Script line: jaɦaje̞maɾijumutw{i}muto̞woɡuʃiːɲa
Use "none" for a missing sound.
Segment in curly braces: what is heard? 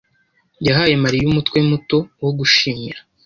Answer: e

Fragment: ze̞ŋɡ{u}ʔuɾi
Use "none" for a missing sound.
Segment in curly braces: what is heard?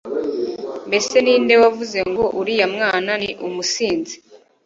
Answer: o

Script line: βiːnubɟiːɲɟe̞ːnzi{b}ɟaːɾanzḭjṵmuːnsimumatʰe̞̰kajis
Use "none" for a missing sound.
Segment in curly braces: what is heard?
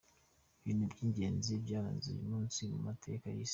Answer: b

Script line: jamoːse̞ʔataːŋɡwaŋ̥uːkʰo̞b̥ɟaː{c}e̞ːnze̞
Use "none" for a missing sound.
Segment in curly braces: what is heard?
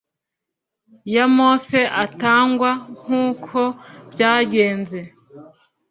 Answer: ɟ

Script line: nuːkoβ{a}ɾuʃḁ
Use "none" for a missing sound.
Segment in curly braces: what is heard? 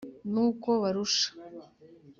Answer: a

